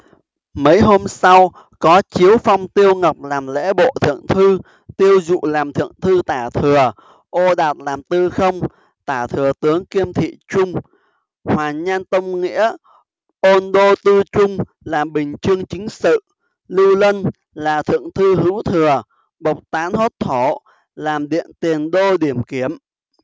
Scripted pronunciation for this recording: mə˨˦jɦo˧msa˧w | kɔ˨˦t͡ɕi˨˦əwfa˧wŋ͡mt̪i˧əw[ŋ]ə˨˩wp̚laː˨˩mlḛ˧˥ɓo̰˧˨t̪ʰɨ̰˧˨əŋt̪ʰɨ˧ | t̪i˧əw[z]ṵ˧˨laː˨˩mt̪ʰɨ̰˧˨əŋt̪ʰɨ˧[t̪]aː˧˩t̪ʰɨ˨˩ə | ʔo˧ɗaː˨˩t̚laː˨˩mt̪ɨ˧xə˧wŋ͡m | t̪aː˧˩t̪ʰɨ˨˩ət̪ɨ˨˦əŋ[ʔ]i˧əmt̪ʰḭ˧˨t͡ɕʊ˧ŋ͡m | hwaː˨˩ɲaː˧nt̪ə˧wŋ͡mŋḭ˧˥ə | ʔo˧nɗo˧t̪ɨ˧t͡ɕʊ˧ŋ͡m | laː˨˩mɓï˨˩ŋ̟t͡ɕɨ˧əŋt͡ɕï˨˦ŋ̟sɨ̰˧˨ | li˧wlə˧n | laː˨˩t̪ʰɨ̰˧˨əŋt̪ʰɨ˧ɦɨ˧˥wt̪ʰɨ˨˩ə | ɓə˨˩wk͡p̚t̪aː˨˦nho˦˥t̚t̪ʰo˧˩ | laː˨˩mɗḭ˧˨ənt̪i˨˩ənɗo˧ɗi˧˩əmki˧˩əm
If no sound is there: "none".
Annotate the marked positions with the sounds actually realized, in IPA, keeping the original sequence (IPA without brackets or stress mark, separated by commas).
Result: ŋ, z, t̪, k